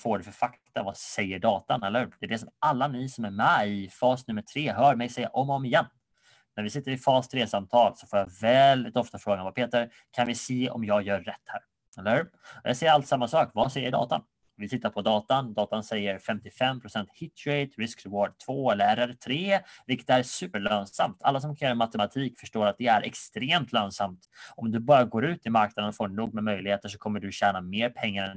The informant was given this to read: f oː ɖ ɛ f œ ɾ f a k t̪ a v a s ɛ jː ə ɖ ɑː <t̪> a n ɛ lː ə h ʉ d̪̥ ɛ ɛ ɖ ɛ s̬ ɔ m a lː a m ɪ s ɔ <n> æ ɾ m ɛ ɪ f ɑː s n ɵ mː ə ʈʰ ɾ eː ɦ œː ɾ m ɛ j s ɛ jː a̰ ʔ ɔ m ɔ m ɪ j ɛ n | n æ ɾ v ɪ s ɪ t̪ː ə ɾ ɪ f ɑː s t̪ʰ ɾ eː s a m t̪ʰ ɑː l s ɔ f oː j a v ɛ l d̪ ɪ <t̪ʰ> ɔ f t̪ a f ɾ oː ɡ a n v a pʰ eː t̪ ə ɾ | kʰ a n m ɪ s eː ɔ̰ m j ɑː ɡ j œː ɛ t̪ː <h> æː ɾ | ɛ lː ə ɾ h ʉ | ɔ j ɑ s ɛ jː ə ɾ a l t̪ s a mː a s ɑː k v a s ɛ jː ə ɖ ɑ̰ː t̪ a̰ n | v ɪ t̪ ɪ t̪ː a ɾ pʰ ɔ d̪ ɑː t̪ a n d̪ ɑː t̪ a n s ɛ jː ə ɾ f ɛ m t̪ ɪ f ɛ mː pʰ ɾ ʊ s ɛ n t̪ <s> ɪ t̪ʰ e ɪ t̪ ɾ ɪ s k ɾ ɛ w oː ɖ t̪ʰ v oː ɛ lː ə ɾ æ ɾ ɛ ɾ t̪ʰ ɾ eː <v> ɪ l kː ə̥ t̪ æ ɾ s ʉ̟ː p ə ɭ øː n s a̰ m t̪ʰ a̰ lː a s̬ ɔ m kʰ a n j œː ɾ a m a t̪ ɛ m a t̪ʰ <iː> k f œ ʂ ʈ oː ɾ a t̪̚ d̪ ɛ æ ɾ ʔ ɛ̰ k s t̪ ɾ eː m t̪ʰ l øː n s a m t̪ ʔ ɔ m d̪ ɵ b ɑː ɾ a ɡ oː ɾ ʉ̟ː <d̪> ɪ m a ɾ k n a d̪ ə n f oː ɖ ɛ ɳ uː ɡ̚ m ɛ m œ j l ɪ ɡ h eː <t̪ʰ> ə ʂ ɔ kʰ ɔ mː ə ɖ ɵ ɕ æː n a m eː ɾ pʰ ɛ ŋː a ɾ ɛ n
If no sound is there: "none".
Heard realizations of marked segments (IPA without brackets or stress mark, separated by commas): t̪, m, t̪, h, h, v, iː, t̪, t̪